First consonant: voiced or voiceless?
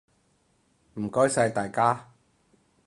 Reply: voiced